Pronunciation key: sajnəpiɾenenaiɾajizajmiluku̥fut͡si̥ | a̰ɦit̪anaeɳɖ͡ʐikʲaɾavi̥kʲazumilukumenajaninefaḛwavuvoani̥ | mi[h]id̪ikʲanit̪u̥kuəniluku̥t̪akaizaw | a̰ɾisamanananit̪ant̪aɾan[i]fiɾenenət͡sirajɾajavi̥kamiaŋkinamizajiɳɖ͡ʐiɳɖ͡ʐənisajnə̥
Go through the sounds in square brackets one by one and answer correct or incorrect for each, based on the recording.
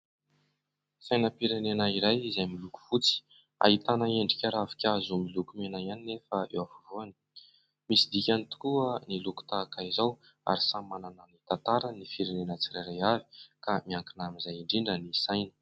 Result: incorrect: s, correct

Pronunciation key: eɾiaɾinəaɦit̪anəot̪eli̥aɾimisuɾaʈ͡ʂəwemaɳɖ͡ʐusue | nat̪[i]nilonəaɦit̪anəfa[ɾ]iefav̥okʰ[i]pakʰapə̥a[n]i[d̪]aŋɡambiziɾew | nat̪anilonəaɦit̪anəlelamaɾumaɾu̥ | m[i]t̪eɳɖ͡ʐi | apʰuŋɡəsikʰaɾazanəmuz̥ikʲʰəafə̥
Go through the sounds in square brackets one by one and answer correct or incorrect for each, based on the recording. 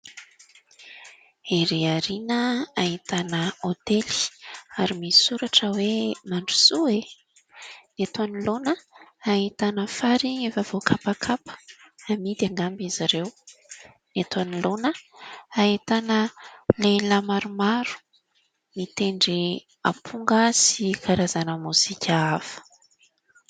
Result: incorrect: a, correct, incorrect: a, incorrect: m, correct, correct

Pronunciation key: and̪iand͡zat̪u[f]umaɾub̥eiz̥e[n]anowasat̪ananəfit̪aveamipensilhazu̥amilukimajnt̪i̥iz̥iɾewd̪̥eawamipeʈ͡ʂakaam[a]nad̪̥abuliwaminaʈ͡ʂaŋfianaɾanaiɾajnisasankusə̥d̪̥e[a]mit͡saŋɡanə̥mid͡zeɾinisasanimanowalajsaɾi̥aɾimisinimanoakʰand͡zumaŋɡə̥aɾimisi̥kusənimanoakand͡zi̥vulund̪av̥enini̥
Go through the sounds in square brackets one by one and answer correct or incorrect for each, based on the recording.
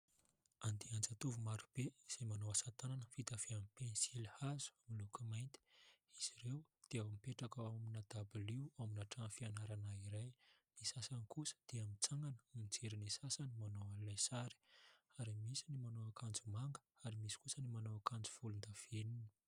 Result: incorrect: v, incorrect: m, incorrect: i, correct

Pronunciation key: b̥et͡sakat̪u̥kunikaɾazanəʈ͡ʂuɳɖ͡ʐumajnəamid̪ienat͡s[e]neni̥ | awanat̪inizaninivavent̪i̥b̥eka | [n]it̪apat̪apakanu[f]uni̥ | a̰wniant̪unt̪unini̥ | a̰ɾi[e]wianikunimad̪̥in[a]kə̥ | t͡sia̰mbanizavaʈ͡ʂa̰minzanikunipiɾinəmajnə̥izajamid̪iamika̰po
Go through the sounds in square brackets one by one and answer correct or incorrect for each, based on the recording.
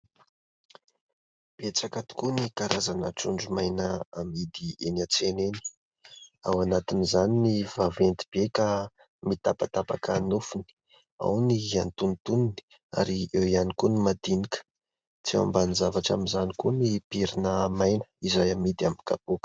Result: correct, incorrect: m, correct, correct, incorrect: i

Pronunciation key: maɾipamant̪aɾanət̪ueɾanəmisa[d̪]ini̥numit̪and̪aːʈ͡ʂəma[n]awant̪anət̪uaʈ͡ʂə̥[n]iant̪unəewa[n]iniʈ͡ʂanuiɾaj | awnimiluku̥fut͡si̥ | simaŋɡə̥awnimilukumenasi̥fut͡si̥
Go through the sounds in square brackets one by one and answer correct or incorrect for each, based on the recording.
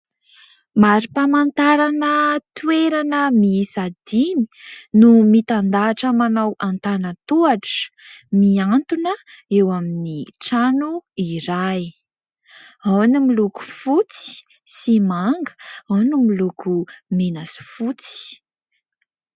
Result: correct, correct, incorrect: m, incorrect: m

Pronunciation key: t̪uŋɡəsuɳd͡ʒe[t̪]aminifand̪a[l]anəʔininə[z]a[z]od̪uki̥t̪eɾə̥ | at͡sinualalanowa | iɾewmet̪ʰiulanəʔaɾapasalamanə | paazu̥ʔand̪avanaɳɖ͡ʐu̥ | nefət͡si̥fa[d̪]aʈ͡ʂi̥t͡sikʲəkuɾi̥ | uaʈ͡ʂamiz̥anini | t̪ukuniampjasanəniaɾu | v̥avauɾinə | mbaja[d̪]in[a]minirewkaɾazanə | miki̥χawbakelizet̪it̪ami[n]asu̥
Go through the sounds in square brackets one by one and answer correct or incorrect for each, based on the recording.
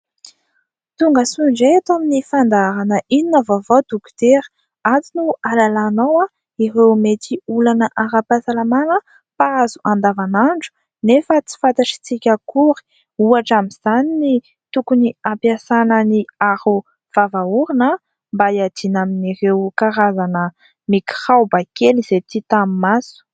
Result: correct, incorrect: ɾ, incorrect: v, incorrect: v, incorrect: t̪, correct, correct, incorrect: m

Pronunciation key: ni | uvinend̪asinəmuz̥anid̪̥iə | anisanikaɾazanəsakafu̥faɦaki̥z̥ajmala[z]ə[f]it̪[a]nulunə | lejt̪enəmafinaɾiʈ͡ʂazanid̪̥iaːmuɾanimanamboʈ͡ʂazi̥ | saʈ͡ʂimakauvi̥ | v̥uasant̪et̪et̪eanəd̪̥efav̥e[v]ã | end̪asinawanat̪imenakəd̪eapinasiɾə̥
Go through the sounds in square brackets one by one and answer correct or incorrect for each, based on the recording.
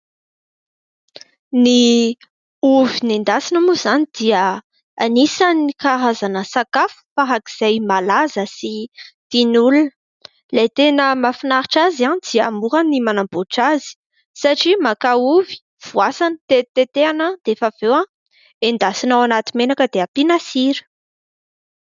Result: correct, incorrect: s, incorrect: i, incorrect: w

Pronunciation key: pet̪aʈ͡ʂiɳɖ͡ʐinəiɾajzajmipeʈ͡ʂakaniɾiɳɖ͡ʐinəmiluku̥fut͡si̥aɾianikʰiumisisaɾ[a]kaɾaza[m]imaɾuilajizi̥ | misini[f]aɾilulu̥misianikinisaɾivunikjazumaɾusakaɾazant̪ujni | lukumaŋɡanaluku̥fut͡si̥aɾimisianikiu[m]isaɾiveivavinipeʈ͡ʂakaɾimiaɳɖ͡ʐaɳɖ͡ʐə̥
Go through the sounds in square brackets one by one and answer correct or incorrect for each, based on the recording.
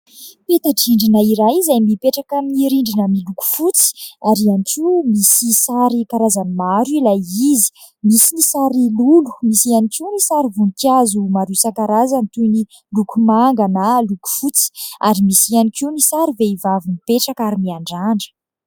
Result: incorrect: i, incorrect: n, incorrect: s, incorrect: n

